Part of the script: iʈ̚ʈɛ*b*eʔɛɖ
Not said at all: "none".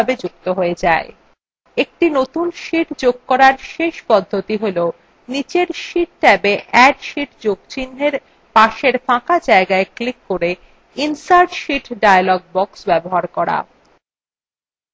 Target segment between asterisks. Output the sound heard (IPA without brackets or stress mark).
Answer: b